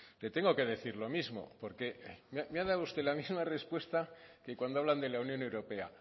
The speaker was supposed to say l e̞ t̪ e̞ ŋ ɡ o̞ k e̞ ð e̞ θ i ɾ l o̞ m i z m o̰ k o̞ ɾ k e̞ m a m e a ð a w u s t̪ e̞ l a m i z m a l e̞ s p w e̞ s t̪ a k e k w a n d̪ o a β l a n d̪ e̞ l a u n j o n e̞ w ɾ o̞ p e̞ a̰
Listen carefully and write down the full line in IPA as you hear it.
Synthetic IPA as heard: l e̞ t̪ e̞ ŋ ɡ o̞ k e̞ ð e̞ θ i ɾ l o̞ m i z m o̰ p o̞ ɾ k e̞ m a m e a ð a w u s t̪ e̞ l a m i z m a r e̞ s p w e̞ s t̪ a k e k w a n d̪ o a β l a n d̪ e̞ l a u n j o n e̞ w ɾ o̞ p e̞ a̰